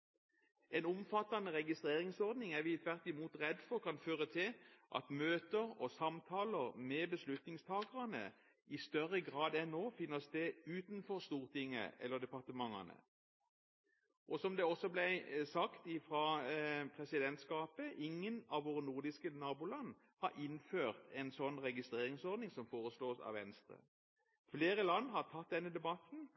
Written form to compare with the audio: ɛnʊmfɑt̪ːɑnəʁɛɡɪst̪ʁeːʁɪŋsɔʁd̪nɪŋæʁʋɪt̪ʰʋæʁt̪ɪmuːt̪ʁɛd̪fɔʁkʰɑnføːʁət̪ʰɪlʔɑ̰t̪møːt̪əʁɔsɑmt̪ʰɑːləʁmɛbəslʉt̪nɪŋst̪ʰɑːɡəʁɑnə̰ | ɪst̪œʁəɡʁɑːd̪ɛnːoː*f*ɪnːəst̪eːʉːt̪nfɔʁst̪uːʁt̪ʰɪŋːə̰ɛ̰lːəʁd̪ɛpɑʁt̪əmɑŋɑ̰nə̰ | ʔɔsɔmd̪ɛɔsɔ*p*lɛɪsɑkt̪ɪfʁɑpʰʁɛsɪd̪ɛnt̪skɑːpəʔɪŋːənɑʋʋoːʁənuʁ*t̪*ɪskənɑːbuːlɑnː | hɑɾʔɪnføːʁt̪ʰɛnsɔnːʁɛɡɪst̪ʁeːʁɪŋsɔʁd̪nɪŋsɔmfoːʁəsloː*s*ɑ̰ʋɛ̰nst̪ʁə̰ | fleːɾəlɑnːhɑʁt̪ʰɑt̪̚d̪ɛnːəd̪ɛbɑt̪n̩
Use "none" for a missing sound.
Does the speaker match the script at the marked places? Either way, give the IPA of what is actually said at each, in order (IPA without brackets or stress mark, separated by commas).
f, b, d̪, s